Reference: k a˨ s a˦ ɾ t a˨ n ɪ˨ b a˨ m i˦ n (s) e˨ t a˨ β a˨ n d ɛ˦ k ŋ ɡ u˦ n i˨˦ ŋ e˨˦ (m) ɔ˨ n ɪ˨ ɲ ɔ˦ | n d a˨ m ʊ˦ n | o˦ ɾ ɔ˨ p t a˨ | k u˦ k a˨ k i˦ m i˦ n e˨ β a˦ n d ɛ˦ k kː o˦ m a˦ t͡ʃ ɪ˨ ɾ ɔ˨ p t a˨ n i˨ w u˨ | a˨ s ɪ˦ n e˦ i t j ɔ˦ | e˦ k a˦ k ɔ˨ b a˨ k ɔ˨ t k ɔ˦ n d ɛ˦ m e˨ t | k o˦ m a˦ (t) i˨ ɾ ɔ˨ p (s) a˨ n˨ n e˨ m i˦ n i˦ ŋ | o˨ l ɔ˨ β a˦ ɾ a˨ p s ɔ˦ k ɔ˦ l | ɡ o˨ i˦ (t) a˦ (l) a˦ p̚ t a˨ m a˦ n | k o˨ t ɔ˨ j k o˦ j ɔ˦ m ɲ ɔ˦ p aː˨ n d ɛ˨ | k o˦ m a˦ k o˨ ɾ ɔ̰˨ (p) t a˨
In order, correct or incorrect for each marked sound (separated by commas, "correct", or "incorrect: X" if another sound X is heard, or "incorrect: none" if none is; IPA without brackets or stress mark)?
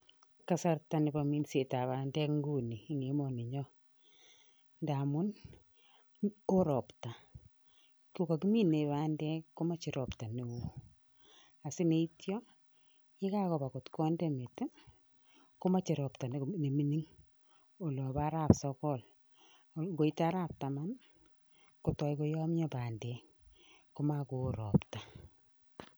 correct, correct, incorrect: t͡ʃ, incorrect: t, correct, incorrect: ɾ, correct